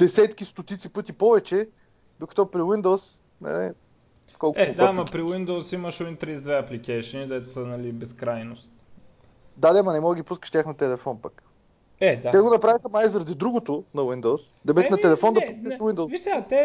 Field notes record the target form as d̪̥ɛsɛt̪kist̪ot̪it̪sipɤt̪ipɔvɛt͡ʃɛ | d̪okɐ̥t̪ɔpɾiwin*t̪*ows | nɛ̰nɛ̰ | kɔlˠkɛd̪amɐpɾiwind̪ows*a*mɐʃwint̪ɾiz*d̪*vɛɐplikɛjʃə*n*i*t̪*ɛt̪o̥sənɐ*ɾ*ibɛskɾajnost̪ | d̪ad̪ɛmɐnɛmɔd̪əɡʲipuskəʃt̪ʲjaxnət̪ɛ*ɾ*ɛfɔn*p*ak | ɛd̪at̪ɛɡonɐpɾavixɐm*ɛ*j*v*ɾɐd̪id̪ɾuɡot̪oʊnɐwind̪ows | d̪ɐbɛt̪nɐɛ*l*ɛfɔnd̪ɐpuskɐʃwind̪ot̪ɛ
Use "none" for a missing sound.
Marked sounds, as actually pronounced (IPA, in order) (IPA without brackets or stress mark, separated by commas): d̪, i, d̪, n, d̪, l, l, p, a, z, l